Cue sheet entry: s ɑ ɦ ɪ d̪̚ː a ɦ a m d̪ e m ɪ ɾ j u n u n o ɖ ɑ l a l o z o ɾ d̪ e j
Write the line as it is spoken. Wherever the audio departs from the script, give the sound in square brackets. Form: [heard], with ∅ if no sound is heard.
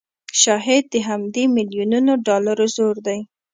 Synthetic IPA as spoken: [ʃ] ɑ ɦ ɪ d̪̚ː [ə] ɦ a m d̪ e m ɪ [l] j u n u n o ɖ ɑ l a [ɾ] o z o ɾ d̪ [a] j